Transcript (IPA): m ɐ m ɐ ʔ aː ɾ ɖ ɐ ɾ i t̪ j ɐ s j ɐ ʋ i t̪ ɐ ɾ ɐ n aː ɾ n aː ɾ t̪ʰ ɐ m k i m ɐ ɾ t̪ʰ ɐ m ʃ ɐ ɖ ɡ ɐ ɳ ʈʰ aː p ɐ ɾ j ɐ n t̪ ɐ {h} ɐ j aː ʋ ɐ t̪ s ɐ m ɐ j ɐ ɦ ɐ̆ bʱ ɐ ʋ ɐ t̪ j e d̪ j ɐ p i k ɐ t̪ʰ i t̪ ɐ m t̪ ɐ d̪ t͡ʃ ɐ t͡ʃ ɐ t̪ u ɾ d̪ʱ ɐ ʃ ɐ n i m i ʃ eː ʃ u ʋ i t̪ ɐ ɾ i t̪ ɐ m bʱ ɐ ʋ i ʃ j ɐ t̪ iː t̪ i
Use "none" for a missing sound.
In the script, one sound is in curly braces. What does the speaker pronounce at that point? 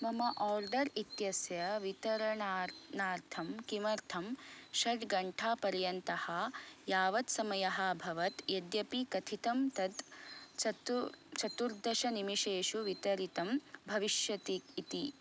h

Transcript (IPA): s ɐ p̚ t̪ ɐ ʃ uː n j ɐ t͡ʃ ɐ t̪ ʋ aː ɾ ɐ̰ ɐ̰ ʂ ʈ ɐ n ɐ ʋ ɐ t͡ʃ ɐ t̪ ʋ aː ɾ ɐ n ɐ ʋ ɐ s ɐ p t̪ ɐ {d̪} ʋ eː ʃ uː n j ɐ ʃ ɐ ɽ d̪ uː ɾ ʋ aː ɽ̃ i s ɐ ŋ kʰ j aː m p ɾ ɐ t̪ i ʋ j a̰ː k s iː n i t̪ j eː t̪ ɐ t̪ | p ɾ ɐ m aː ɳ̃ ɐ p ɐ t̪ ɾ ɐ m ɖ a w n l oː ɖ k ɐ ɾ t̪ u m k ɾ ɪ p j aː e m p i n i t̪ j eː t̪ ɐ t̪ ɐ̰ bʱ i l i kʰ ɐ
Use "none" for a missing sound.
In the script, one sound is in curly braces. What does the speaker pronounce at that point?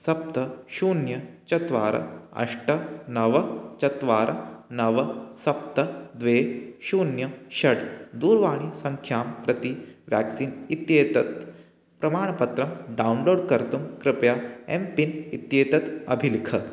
d̪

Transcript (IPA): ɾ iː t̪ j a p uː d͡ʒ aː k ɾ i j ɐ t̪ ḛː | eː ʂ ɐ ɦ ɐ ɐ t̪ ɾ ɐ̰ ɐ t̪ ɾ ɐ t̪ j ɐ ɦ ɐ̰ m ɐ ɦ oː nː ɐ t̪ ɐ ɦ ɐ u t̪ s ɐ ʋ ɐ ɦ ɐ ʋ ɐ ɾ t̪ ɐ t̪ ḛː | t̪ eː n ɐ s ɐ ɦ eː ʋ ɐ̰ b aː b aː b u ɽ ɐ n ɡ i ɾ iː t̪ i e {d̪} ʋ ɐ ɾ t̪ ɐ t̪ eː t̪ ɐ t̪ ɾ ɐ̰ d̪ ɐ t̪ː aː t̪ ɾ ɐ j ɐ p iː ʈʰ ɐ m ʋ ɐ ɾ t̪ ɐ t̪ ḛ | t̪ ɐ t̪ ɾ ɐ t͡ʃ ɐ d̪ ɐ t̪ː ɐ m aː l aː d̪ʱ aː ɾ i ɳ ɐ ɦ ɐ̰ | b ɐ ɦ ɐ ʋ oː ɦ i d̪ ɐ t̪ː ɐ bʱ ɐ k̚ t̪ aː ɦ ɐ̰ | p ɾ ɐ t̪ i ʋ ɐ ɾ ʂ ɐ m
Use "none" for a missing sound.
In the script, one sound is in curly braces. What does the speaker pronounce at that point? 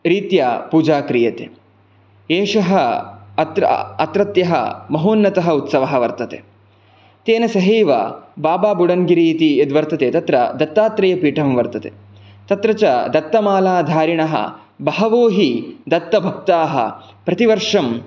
d̪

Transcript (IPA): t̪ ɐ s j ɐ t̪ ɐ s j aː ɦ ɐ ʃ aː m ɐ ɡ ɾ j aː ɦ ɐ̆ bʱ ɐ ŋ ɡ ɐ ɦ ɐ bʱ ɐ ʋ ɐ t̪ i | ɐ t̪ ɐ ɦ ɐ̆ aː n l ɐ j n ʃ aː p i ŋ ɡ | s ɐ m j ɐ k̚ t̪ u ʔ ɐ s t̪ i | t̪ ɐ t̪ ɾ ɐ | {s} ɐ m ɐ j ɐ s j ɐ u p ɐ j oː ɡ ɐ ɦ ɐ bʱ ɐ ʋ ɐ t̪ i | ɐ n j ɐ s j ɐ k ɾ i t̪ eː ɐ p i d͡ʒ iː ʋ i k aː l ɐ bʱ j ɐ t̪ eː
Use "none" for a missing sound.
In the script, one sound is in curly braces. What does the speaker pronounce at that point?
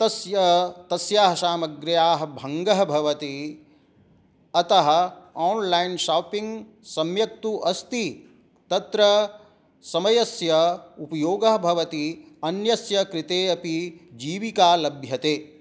s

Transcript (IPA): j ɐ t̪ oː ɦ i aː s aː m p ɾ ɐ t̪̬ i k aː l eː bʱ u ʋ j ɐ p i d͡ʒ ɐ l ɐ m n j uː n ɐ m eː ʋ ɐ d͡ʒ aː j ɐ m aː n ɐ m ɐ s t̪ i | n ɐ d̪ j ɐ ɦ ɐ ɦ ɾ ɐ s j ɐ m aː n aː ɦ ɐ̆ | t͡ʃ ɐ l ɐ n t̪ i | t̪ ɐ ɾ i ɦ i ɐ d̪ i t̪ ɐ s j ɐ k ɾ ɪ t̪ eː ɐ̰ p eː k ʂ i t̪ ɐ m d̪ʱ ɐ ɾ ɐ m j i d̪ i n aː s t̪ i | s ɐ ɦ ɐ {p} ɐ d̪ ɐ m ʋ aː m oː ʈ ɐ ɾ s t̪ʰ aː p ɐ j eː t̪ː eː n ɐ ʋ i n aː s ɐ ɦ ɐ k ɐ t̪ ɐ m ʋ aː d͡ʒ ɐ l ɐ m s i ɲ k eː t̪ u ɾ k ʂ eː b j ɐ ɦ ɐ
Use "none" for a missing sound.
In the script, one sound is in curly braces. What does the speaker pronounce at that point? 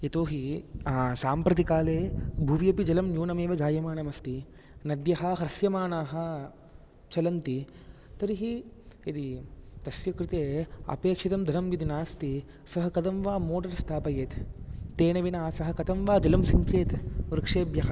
k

